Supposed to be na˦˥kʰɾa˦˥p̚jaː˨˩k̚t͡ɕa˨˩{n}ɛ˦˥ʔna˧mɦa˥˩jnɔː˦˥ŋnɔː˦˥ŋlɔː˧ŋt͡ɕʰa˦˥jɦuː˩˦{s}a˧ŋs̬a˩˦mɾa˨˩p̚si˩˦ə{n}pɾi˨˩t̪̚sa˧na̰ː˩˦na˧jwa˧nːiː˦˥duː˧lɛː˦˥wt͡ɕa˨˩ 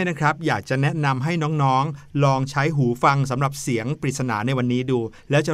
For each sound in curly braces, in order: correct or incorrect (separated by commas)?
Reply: correct, incorrect, incorrect